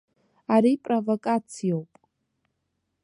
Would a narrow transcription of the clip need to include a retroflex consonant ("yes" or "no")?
no